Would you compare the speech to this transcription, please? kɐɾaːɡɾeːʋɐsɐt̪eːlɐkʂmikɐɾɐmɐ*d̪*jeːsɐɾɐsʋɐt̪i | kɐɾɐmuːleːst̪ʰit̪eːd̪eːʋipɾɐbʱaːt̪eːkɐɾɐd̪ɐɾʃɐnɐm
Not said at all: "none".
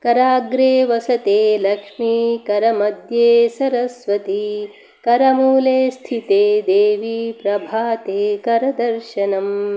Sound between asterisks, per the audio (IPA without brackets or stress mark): d̪